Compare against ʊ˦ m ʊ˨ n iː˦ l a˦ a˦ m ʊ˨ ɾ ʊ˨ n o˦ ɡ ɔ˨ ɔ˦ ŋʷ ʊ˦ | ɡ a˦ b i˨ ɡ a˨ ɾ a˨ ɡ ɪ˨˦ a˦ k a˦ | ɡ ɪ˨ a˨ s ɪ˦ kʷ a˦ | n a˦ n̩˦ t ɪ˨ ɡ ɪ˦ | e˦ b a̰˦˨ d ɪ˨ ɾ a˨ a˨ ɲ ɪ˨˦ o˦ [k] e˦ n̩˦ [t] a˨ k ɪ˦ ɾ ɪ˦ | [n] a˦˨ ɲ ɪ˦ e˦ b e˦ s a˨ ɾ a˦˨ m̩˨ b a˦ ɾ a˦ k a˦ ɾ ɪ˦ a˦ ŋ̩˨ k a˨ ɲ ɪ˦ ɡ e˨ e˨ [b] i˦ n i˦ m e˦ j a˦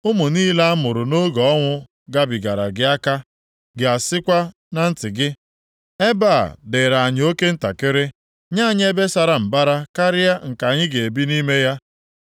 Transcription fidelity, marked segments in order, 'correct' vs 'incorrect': correct, correct, incorrect, correct

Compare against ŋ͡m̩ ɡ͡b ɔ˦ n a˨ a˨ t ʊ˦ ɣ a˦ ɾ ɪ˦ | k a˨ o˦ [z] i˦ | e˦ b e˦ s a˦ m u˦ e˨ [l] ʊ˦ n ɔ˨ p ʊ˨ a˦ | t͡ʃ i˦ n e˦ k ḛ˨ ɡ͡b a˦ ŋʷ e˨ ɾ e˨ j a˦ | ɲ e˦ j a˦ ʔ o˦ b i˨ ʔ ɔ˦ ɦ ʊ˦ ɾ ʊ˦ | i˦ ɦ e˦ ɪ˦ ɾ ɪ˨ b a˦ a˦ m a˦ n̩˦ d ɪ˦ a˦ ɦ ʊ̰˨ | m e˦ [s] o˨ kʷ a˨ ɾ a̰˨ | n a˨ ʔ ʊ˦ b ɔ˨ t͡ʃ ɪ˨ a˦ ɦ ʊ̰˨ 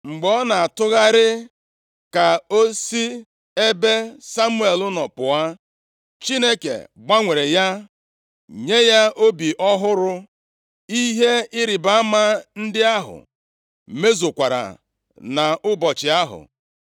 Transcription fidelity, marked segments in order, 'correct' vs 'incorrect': incorrect, correct, incorrect

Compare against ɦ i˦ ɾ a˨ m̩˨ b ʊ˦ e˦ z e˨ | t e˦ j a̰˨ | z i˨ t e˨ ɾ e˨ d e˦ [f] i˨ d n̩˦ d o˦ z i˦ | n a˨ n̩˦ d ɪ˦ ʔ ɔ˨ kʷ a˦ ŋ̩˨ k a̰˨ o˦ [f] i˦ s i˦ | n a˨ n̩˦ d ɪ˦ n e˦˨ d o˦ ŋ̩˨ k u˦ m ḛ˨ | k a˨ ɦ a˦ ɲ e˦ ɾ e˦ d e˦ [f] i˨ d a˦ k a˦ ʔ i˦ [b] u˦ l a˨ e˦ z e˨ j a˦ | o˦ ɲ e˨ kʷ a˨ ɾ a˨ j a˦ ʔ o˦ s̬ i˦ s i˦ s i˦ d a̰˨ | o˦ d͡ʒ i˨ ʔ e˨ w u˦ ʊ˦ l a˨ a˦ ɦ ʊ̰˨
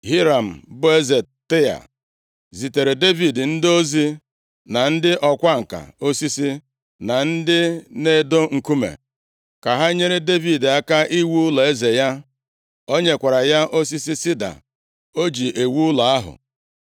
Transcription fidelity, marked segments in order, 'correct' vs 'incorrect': incorrect, incorrect, incorrect, incorrect

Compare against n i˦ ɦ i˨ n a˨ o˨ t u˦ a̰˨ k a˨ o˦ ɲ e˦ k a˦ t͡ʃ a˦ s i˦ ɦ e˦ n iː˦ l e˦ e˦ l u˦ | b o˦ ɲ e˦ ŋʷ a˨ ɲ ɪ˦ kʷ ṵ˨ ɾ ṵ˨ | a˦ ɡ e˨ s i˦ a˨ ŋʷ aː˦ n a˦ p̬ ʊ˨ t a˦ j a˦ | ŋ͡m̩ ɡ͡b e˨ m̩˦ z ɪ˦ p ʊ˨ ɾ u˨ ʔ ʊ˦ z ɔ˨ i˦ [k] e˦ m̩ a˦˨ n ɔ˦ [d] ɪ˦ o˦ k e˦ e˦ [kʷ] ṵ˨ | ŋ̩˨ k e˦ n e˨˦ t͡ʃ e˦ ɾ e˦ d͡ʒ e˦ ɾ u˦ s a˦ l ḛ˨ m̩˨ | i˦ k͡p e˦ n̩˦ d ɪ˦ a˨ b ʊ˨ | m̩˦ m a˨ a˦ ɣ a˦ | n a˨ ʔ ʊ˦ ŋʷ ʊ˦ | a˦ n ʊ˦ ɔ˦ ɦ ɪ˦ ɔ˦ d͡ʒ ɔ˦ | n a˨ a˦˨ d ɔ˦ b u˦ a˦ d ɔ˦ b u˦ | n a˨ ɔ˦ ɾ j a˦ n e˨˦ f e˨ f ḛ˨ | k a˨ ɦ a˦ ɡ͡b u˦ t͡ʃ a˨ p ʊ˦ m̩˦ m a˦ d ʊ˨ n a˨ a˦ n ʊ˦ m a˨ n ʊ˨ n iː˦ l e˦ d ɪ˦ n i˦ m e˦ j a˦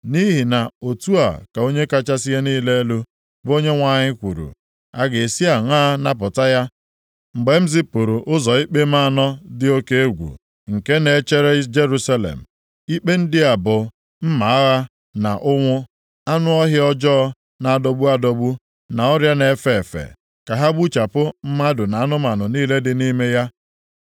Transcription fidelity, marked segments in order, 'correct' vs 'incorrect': incorrect, correct, incorrect

